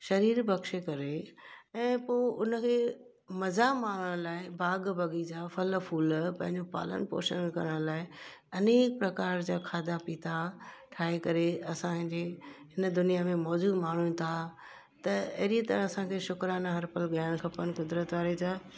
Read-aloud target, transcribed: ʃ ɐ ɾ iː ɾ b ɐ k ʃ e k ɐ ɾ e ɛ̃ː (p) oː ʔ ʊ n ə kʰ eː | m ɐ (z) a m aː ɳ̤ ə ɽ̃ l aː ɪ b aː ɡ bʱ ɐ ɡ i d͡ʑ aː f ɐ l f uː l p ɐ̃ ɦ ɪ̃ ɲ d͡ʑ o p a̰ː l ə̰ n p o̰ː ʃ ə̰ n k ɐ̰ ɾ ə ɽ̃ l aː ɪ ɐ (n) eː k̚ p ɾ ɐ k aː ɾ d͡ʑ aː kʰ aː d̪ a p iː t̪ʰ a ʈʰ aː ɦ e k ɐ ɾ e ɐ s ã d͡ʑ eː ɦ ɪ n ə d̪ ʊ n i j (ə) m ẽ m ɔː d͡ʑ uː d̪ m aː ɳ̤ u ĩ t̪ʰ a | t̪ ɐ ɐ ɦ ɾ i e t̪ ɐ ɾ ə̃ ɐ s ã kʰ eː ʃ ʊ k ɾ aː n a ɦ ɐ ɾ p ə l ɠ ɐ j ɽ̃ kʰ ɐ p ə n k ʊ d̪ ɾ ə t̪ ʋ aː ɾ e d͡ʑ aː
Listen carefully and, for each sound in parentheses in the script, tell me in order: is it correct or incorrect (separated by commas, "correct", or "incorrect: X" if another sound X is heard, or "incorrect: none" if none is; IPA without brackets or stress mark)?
correct, correct, correct, incorrect: a